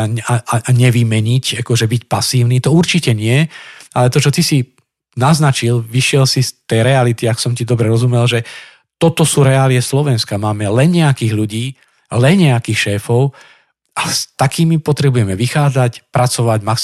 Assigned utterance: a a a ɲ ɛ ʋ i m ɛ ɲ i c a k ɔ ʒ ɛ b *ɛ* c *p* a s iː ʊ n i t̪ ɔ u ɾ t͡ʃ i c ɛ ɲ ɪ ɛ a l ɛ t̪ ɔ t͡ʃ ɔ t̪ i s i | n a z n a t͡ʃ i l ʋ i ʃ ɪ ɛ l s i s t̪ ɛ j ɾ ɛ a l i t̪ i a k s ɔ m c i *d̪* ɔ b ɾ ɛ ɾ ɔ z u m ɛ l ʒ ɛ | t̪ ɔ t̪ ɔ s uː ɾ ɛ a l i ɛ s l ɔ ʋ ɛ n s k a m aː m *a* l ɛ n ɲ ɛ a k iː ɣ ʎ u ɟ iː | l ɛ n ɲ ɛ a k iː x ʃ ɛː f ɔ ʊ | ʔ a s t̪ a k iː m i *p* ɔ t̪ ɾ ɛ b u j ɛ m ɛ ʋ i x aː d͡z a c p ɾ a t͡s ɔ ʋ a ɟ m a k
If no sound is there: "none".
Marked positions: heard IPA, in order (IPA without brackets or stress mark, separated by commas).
i, p, d̪, ɛ, p